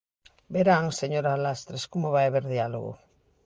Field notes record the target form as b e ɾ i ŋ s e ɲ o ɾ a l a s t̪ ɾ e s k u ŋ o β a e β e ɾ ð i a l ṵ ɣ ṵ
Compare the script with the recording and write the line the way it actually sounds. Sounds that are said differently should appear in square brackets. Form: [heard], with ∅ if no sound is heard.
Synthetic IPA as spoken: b e ɾ [a] ŋ s e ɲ o ɾ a l a s t̪ ɾ e s k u [m] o β a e β e ɾ ð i a l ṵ ɣ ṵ